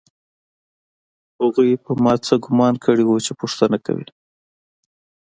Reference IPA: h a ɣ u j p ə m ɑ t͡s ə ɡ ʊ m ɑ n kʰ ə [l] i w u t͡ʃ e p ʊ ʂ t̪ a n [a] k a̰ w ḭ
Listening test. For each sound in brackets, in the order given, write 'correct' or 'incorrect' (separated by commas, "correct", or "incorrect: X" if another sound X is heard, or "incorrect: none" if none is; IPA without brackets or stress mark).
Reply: incorrect: ɽ, correct